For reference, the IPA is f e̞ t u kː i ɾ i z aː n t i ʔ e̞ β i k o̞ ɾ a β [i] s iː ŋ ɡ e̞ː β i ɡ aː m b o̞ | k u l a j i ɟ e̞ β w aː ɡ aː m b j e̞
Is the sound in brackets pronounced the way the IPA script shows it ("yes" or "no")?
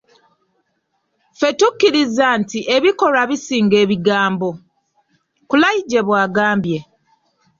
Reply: yes